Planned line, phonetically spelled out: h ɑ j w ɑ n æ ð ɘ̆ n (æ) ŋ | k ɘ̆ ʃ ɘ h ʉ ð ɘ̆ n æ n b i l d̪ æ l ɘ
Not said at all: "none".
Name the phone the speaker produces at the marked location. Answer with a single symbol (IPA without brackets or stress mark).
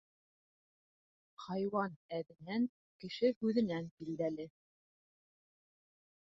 æ